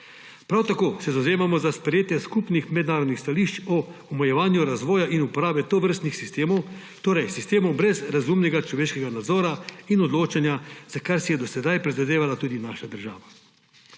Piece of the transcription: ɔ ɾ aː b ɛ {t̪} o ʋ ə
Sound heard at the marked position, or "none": t̪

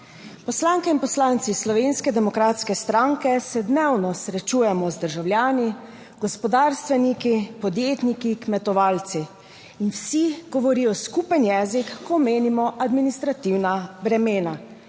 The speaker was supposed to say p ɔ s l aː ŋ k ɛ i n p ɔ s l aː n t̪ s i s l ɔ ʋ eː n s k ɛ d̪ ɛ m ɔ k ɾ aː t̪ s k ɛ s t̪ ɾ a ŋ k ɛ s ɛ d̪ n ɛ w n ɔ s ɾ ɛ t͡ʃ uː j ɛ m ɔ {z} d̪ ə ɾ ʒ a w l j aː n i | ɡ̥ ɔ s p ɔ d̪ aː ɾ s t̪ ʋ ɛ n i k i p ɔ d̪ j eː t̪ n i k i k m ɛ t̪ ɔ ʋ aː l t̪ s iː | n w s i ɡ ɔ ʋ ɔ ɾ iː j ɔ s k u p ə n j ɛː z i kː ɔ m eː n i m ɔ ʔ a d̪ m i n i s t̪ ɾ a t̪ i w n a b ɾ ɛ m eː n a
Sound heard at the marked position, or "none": z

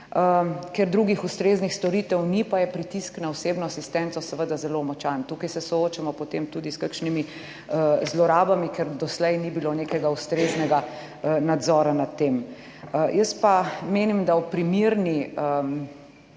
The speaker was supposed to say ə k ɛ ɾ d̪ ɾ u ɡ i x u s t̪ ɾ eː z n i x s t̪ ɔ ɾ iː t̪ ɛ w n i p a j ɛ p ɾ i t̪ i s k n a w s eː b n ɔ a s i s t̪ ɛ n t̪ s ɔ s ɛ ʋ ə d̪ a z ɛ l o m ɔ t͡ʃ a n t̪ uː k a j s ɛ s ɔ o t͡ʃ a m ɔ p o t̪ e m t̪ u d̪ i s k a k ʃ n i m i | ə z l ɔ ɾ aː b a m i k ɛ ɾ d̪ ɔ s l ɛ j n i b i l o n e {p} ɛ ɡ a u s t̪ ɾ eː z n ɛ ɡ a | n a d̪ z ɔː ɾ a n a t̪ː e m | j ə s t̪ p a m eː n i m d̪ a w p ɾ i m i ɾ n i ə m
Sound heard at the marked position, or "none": k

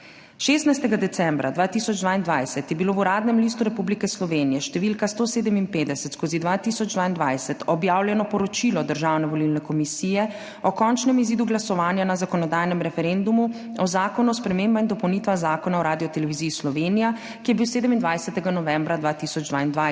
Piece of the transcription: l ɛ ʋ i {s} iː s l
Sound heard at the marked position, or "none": z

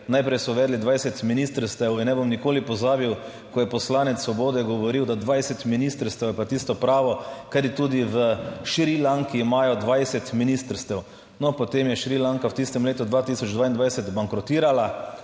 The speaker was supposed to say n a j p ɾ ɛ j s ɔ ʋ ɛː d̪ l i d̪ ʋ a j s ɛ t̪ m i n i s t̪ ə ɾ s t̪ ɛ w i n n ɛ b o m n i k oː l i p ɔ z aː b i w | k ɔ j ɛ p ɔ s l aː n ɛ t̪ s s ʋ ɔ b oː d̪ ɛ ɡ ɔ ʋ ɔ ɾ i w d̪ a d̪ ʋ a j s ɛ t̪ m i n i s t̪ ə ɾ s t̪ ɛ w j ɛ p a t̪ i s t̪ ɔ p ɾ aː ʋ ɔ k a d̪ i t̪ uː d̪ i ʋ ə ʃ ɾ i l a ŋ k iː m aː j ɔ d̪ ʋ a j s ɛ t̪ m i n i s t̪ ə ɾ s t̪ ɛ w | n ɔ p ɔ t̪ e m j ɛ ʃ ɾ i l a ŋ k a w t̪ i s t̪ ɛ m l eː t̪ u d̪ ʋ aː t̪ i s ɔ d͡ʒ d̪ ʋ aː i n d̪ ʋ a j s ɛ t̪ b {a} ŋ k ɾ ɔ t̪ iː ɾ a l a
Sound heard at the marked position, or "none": a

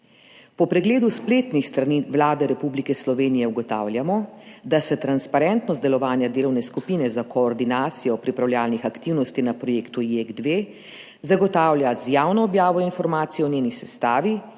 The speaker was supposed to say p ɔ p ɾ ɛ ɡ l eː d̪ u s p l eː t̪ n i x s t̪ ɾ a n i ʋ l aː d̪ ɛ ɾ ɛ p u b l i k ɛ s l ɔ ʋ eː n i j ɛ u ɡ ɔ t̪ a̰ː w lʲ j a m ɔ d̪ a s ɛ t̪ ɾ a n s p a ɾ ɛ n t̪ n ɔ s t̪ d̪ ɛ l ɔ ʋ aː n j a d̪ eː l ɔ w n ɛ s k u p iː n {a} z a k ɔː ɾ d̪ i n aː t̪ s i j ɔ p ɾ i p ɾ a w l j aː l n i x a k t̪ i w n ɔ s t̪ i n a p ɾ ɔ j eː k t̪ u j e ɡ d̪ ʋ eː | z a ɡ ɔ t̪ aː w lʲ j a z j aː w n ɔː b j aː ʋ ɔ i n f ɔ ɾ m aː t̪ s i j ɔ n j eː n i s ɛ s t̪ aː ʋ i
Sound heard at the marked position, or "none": ɛ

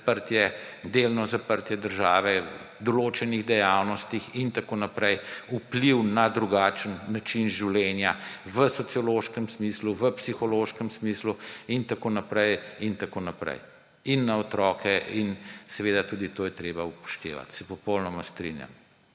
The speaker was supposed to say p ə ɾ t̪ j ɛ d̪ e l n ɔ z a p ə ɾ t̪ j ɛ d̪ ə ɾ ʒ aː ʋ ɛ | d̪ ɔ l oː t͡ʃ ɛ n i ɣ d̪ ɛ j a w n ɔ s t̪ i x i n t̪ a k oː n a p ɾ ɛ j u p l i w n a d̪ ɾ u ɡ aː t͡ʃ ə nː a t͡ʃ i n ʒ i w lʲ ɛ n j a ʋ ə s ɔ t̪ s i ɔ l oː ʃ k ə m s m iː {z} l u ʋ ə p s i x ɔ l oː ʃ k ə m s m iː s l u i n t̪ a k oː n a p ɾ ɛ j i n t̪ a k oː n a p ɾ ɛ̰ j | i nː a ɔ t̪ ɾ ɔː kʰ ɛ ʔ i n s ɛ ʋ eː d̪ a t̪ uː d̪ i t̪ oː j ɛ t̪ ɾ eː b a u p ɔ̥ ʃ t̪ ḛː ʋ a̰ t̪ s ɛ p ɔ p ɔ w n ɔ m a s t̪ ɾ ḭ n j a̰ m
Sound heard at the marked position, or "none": s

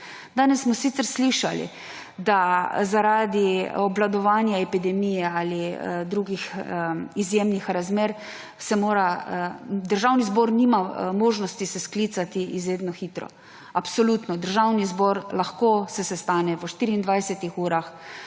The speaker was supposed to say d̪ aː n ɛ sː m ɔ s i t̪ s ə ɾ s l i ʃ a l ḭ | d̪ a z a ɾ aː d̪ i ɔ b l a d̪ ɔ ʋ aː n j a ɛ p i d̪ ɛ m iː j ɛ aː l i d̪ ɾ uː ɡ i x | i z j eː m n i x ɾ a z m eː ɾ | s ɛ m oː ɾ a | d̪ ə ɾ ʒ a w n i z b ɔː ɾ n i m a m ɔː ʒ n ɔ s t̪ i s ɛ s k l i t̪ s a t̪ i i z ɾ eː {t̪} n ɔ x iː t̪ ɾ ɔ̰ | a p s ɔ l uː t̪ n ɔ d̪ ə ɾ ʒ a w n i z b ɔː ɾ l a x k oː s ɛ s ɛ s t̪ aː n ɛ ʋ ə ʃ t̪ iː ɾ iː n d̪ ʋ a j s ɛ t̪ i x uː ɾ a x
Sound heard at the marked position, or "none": d̪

